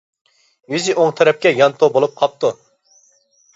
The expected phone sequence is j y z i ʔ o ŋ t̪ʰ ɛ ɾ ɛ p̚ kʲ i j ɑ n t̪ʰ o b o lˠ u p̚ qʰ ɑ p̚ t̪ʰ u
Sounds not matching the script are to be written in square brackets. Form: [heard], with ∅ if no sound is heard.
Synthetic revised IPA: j y z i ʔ o ŋ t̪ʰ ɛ ɾ ɛ p̚ kʲ [ɛ] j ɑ n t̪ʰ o b o lˠ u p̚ qʰ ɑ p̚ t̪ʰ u